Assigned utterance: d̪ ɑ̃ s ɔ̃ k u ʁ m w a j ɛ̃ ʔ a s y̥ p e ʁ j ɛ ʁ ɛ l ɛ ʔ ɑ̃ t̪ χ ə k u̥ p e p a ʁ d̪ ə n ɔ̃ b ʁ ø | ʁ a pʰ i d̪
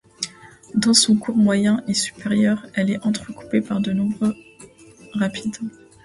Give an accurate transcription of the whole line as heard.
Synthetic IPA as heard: d̪ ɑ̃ s ɔ̃ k u ʁ m w a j ɛ̃ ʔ e s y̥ p e ʁ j œ ʁ ɛ l ɛ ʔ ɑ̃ t̪ χ ə k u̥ p e p a ʁ d̪ ə n ɔ̃ b ʁ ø | ʁ a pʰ i d̪